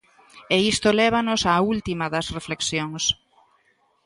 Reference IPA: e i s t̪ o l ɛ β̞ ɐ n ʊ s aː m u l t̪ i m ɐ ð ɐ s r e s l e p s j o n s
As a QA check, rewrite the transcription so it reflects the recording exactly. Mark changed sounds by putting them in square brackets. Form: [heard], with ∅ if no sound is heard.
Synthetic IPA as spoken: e i s t̪ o l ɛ β̞ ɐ n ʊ s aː [∅] u l t̪ i m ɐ ð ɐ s r e [f] l e [k] s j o [ŋ] s

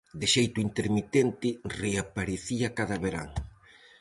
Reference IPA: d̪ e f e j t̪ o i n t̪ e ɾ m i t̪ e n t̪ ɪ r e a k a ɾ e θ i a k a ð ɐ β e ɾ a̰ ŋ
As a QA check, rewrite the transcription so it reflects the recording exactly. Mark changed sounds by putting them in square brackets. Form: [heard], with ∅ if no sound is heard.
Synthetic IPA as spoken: d̪ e [ʃ] e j t̪ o i n t̪ e ɾ m i t̪ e n t̪ ɪ r e a [p] a ɾ e θ i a k a ð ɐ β e ɾ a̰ ŋ

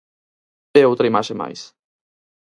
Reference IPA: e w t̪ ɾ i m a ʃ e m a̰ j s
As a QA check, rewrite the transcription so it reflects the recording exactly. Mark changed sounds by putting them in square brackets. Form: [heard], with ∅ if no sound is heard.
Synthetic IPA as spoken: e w t̪ ɾ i m a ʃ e m a̰ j s

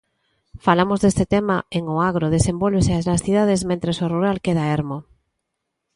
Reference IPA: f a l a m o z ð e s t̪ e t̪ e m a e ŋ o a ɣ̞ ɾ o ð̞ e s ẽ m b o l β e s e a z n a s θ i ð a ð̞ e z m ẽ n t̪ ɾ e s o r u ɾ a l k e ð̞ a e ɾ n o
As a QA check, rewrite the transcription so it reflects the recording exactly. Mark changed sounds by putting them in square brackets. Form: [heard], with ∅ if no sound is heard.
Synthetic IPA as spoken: f a l a m o z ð e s t̪ e t̪ e m a e ŋ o a ɣ̞ ɾ o ð̞ e s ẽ m b o l β e s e a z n a s θ i ð a ð̞ e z m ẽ n t̪ ɾ e s o r u ɾ a l k e ð̞ a e ɾ [m] o

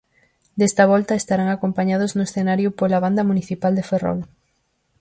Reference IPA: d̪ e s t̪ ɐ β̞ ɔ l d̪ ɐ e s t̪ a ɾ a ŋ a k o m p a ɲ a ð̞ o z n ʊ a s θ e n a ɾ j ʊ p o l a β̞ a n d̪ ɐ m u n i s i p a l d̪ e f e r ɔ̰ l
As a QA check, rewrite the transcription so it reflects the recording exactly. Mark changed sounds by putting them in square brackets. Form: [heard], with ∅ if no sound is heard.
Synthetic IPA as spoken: d̪ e s t̪ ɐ β̞ ɔ l [t̪] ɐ e s t̪ a ɾ a ŋ a k o m p a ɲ a ð̞ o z n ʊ [e] s θ e n a ɾ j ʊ p o l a β̞ a n d̪ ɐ m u n i [θ] i p a l d̪ e f e r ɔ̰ l

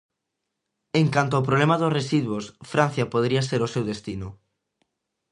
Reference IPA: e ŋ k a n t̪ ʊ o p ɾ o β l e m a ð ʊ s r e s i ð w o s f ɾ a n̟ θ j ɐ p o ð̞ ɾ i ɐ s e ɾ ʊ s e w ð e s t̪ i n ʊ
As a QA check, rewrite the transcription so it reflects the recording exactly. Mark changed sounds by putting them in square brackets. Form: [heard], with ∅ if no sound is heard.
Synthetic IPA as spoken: e ŋ k a n t̪ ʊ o p ɾ o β l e m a ð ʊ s r e s i ð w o s f ɾ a n̟ θ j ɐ p o ð̞ ɾ i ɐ s e ɾ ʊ s e w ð e s t̪ i n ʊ

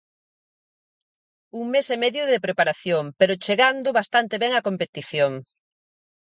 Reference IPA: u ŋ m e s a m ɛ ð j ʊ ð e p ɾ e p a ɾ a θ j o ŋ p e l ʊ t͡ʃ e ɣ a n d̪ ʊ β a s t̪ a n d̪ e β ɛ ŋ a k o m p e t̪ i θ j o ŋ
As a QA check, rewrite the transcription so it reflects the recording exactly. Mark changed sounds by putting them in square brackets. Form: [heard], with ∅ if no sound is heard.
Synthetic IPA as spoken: u ŋ m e s [e] m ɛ ð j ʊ ð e p ɾ e p a ɾ a θ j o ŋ p e [ɾ] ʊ t͡ʃ e ɣ a n d̪ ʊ β a s t̪ a n [t̪] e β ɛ ŋ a k o m p e t̪ i θ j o ŋ

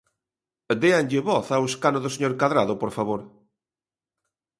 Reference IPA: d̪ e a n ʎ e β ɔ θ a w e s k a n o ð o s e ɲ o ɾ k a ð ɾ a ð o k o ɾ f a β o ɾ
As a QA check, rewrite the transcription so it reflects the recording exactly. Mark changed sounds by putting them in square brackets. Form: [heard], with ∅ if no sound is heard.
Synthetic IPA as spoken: d̪ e a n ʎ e β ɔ θ a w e s k a n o ð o s e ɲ o ɾ k a ð ɾ a ð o [p] o ɾ f a β o ɾ

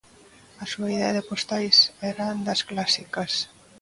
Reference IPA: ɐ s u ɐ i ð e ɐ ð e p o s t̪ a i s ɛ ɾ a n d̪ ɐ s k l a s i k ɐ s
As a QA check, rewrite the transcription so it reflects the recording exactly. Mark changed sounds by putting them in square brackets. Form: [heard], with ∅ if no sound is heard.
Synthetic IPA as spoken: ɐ s u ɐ i ð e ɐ ð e p o s t̪ a [j] s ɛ ɾ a n d̪ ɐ s k l a s i k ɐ s

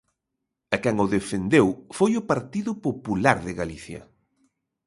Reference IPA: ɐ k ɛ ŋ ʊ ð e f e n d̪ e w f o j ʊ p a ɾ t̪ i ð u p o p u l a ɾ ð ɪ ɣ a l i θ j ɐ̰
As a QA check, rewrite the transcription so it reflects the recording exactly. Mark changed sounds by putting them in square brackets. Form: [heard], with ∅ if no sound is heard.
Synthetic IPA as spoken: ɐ k ɛ ŋ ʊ ð e f e n d̪ e w f o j ʊ p a ɾ t̪ i ð [ʊ] p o p u l a ɾ ð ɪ ɣ a l i θ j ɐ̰

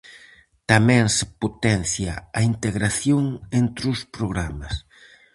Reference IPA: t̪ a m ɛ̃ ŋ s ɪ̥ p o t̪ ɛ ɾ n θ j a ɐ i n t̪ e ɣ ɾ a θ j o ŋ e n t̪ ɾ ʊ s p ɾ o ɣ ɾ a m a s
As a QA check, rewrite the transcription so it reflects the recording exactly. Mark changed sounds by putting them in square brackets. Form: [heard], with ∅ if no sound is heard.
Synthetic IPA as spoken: t̪ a m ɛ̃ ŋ s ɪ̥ p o t̪ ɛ [∅] n θ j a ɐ i n t̪ e ɣ ɾ a θ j o ŋ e n t̪ ɾ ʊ s p ɾ o ɣ ɾ a m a s

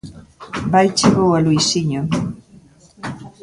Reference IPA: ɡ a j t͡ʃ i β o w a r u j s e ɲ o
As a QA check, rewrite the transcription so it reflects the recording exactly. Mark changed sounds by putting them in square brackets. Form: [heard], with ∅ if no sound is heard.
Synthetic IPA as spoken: [b] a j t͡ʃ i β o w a [l] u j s [i] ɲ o

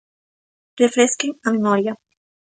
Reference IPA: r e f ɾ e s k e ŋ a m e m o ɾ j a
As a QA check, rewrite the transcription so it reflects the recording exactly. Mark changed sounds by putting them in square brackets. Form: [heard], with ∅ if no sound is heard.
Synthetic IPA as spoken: r e f ɾ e s k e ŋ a m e m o ɾ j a

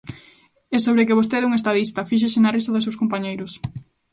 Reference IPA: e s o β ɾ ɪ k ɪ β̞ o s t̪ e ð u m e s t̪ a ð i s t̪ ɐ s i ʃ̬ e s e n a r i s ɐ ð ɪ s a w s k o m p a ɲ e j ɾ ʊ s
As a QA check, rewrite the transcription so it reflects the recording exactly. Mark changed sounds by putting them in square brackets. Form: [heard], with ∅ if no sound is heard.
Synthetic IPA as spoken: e s o β ɾ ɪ k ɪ β̞ o s t̪ e ð u [ŋ] e s t̪ a ð i s t̪ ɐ [f] i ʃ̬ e s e n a r i s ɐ ð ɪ s [e] w s k o m p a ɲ e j ɾ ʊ s

